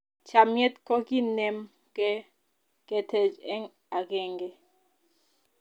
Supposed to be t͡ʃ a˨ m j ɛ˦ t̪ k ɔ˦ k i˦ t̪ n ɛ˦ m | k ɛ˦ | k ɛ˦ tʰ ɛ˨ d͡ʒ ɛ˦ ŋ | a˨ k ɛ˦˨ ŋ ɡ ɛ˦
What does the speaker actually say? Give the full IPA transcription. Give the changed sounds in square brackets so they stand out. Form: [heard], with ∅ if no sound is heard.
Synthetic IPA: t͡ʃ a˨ m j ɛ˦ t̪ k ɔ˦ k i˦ [∅] n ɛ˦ m | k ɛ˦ | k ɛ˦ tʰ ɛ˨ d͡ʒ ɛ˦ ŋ | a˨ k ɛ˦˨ ŋ ɡ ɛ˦